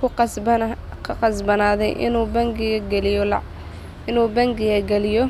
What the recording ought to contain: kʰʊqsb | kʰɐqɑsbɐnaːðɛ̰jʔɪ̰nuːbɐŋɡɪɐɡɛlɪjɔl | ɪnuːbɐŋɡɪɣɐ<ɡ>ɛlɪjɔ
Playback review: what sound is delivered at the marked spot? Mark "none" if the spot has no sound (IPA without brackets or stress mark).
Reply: ɡ